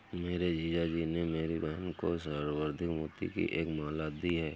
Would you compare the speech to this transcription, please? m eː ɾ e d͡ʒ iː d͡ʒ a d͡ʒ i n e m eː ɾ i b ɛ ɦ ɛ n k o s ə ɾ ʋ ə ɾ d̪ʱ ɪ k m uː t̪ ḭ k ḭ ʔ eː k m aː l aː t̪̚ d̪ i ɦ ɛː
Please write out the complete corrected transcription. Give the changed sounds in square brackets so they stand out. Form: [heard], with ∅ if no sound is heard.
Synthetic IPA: m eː ɾ e d͡ʒ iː d͡ʒ a d͡ʒ i n e m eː ɾ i b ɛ ɦ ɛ n k o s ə ɾ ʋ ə ɾ d̪ʱ ɪ k m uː t̪ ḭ k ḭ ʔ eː k m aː l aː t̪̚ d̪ i ɦ ɛː